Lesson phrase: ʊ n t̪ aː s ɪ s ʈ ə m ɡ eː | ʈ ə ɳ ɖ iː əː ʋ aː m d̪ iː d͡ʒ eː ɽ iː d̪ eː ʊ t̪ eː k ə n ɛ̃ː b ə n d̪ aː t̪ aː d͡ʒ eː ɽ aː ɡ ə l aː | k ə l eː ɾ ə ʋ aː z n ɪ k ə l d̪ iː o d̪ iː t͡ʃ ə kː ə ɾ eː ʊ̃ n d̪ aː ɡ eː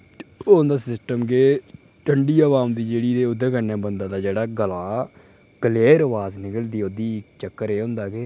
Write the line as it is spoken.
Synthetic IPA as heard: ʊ n d̪ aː s ɪ s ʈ ə m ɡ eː | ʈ ə ɳ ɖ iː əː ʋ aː m d̪ iː d͡ʒ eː ɽ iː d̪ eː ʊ d̪ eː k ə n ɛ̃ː b ə n d̪ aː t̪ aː d͡ʒ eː ɽ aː ɡ ə l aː | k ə l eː ɾ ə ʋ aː z n ɪ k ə l d̪ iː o d̪ iː t͡ʃ ə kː ə ɾ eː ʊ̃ n d̪ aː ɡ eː